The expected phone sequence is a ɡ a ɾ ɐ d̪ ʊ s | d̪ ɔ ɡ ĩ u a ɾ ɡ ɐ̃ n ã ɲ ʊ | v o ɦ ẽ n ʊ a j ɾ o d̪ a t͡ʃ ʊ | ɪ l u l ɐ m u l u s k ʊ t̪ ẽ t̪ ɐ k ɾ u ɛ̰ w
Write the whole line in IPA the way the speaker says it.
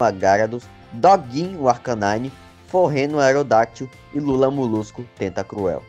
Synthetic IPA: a ɡ a ɾ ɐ d̪ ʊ s | d̪ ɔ ɡ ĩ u a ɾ k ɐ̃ n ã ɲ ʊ | f o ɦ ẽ n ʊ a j ɾ o d̪ a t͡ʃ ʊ | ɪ l u l ɐ m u l u s k ʊ t̪ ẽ t̪ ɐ k ɾ u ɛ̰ w